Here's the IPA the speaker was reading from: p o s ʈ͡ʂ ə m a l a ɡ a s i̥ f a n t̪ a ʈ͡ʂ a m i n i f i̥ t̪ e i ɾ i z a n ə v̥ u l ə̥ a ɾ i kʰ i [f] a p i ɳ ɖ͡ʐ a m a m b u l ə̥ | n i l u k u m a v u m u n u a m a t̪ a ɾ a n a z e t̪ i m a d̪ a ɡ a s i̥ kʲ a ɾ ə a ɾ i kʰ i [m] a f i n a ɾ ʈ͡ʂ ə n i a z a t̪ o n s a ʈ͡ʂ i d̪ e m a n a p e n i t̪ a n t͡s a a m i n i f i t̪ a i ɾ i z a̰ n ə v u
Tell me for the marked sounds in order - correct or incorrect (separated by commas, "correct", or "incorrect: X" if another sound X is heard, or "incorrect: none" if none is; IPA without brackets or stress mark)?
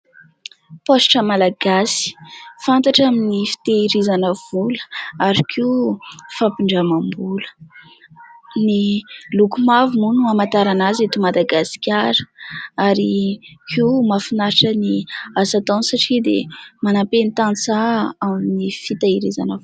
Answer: correct, correct